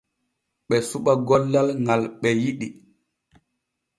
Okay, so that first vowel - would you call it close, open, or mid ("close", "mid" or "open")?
mid